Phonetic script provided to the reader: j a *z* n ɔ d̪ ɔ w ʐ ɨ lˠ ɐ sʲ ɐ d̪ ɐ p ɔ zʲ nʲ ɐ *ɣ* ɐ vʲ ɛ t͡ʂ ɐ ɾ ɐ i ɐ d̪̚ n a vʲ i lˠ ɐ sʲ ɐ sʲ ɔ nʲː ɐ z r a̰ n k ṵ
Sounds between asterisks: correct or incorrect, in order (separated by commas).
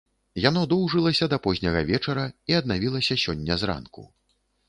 incorrect, correct